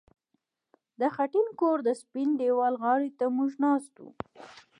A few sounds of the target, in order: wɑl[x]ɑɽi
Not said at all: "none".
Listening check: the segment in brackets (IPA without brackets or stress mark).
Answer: ɣ